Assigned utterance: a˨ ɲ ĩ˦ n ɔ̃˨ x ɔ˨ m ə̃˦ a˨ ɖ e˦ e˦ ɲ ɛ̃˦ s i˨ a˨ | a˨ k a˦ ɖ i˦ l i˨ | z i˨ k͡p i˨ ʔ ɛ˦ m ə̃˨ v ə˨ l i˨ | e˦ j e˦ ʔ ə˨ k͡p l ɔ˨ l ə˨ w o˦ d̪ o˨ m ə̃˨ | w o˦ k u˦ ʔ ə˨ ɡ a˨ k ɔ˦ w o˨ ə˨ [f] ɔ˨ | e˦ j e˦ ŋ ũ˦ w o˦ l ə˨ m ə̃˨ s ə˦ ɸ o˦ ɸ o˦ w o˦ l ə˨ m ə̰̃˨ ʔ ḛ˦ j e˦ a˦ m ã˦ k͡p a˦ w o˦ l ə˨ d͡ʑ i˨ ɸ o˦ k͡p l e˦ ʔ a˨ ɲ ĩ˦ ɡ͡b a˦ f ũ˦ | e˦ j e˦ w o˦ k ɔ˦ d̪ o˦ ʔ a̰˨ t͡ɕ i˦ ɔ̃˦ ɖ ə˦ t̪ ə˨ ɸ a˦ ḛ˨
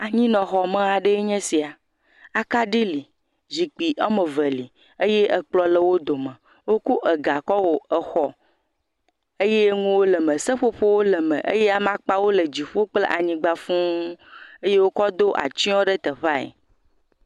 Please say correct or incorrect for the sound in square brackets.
incorrect